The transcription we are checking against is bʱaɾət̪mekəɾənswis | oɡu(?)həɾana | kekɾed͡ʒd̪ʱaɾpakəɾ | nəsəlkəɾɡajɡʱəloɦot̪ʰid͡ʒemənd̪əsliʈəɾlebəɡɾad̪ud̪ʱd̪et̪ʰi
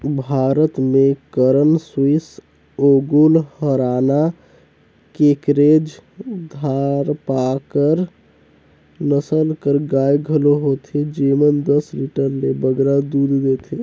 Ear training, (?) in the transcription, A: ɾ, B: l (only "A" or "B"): B